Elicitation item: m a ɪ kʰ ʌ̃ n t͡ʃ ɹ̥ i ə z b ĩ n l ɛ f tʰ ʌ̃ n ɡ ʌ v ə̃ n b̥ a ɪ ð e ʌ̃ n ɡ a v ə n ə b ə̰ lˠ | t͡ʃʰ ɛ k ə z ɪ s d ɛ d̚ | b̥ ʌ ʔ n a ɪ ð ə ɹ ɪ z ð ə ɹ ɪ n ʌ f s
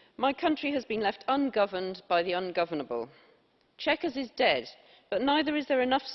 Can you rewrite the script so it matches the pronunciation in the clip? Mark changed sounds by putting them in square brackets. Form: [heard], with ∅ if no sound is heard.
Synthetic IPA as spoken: m a ɪ kʰ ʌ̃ n t͡ʃ ɹ̥ i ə z b ĩ n l ɛ f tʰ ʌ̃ n ɡ ʌ v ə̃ n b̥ a ɪ ð [i] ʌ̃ n ɡ [ʌ] v ə n ə b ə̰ lˠ | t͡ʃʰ ɛ k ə z ɪ [z] d ɛ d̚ | b̥ ʌ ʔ n a ɪ ð ə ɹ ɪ z ð ə ɹ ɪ n ʌ f s